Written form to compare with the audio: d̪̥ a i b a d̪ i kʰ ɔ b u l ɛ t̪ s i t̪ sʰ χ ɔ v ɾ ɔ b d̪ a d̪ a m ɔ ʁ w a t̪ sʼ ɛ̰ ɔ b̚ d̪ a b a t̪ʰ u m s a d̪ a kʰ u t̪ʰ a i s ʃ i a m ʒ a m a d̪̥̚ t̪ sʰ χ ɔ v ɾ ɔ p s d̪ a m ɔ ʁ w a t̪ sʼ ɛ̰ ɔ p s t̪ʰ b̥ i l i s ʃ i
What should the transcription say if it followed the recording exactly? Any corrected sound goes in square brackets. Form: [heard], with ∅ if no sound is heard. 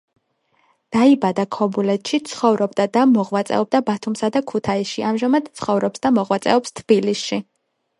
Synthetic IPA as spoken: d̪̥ a i b a d̪ [a] kʰ ɔ b u l ɛ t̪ [ʃ] i t̪ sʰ χ ɔ v ɾ ɔ b d̪ a d̪ a m ɔ ʁ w a t̪ sʼ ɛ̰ ɔ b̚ d̪ a b a t̪ʰ u m s a d̪ a kʰ u t̪ʰ a i s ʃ i a m ʒ a m a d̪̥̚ t̪ sʰ χ ɔ v ɾ ɔ p s d̪ a m ɔ ʁ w a t̪ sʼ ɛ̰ ɔ p s t̪ʰ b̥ i l i s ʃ i